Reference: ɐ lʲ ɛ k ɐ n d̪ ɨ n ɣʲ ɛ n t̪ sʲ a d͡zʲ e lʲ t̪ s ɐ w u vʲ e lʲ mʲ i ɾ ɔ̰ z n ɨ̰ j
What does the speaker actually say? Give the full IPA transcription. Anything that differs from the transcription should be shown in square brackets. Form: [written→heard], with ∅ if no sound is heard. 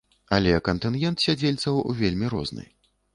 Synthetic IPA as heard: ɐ lʲ ɛ k ɐ n [d̪→t̪] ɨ n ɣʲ ɛ n t̪ sʲ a d͡zʲ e lʲ t̪ s ɐ w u vʲ e lʲ mʲ i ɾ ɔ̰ z n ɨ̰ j